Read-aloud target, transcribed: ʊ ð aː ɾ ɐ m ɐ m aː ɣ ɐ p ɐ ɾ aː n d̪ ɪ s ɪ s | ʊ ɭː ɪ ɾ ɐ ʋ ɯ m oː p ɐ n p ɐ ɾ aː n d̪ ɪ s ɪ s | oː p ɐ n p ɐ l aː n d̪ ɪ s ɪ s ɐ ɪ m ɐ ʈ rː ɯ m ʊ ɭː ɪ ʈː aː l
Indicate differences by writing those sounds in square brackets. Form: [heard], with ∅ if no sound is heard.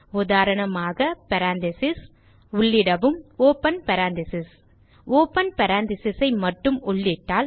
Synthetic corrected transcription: ʊ ð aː ɾ ɐ [ɳ] ɐ m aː ɣ ɐ p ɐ ɾ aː n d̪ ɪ s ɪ s | ʊ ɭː ɪ [ɽ] ɐ ʋ ɯ m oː p ɐ n p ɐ ɾ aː n d̪ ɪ s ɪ s | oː p ɐ n p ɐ [ɾ] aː n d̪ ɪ s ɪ s ɐ ɪ m ɐ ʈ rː ɯ m ʊ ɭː ɪ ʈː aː l

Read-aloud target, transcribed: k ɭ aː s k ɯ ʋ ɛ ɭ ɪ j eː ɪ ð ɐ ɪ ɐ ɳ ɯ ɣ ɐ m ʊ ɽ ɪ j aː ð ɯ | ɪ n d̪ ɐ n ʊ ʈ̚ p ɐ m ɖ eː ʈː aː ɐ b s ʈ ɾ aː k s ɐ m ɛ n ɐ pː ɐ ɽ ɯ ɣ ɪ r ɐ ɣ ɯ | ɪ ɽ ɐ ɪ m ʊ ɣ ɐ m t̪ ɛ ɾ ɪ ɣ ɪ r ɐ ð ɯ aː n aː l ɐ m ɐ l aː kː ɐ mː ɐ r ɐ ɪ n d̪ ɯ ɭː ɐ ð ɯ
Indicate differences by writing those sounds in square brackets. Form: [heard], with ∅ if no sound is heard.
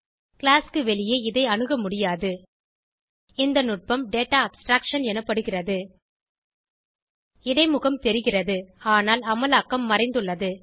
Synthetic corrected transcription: k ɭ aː s k ɯ ʋ ɛ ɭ ɪ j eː ɪ ð ɐ ɪ ɐ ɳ ɯ ɣ ɐ m ʊ ɽ ɪ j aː ð ɯ | ɪ n d̪ ɐ n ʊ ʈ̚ p ɐ m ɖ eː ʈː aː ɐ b s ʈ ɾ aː k [ʂ] ɐ [n] ɛ n ɐ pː ɐ ɽ ɯ ɣ ɪ r ɐ [ð] ɯ | ɪ ɽ ɐ ɪ m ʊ ɣ ɐ m t̪ ɛ ɾ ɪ ɣ ɪ r ɐ ð ɯ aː n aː l ɐ m ɐ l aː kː ɐ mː ɐ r ɐ ɪ n d̪ ɯ ɭː ɐ ð ɯ

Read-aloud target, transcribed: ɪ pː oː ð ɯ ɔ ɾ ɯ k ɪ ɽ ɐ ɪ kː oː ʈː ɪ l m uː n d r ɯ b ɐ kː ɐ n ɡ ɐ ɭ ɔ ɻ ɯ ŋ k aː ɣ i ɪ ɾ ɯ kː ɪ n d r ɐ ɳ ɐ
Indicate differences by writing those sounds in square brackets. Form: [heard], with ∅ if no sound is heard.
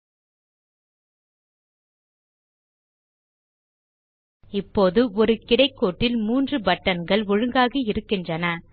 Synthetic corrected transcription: ɪ pː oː ð ɯ ɔ ɾ ɯ k ɪ ɽ ɐ ɪ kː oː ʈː ɪ l m uː n d r ɯ b ɐ [ʈː] ɐ n ɡ ɐ ɭ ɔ ɻ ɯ ŋ [ɡ] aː ɣ i ɪ ɾ ɯ kː ɪ n d r ɐ [n] ɐ

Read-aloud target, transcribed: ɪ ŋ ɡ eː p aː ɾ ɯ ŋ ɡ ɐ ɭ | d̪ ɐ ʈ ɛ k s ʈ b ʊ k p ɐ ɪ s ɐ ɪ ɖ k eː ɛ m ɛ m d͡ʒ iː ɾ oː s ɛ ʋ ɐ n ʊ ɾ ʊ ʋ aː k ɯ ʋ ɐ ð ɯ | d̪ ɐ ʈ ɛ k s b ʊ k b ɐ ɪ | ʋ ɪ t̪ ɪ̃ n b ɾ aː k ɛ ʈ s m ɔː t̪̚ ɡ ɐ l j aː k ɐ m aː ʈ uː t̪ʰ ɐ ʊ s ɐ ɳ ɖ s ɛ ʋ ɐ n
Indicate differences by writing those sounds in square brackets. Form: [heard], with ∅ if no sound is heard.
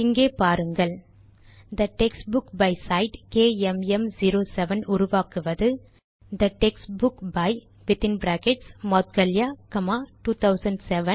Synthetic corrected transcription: ɪ ŋ ɡ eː p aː ɾ ɯ ŋ ɡ ɐ ɭ | d̪ ɐ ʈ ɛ k s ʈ b ʊ k [b] ɐ ɪ s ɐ ɪ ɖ k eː ɛ m ɛ m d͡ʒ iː ɾ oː s ɛ ʋ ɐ n ʊ ɾ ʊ ʋ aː k ɯ ʋ ɐ ð ɯ | d̪ ɐ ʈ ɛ k s b ʊ k b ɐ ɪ | ʋ ɪ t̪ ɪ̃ n b ɾ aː k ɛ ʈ s m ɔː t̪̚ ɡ ɐ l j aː k ɐ m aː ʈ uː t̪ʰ ɐ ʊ s ɐ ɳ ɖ s ɛ ʋ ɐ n

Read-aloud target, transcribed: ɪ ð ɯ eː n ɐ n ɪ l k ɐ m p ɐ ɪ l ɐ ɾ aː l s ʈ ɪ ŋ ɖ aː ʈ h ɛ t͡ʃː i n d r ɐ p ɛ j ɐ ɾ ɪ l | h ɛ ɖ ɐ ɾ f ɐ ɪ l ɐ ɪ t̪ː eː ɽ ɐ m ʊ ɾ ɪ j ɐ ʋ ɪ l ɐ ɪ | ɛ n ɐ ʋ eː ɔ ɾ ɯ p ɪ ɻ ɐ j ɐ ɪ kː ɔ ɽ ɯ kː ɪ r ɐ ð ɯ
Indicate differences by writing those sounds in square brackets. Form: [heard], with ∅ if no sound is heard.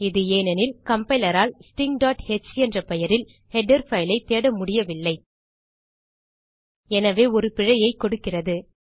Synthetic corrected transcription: ɪ ð ɯ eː n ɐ n ɪ l k ɐ m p ɐ ɪ l ɐ ɾ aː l s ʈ ɪ ŋ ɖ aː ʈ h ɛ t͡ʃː [ɛ] n d r ɐ p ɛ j ɐ ɾ ɪ l | h ɛ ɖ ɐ ɾ f ɐ ɪ l ɐ ɪ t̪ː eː ɽ ɐ m ʊ [ɽ] ɪ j ɐ ʋ ɪ [lː] ɐ ɪ | ɛ n ɐ ʋ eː ɔ ɾ ɯ p ɪ ɻ ɐ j ɐ ɪ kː ɔ ɽ ɯ kː ɪ r ɐ ð ɯ

